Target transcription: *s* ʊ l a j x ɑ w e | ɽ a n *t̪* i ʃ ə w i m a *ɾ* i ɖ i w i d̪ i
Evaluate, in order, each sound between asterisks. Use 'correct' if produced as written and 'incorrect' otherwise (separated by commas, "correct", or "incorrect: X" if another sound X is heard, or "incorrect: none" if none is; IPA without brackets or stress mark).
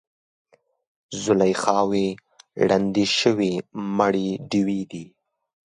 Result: incorrect: z, incorrect: d̪, incorrect: ɽ